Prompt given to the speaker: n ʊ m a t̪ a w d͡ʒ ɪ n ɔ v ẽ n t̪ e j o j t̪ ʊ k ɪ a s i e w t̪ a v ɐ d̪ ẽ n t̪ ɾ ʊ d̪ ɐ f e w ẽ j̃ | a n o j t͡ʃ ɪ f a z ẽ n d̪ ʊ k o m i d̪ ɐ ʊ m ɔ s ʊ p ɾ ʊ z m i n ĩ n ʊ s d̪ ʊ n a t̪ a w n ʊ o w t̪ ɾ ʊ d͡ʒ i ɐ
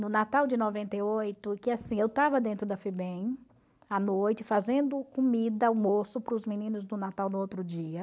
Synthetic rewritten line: n ʊ n a t̪ a w d͡ʒ ɪ n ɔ v ẽ n t̪ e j o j t̪ ʊ k ɪ a s ĩ e w t̪ a v ɐ d̪ ẽ n t̪ ɾ ʊ d̪ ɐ f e b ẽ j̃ | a n o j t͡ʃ ɪ f a z ẽ n d̪ ʊ k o m i d̪ ɐ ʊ m o s ʊ p ɾ ʊ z m i n ĩ n ʊ z d̪ ʊ n a t̪ a w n ʊ o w t̪ ɾ ʊ d͡ʒ i ɐ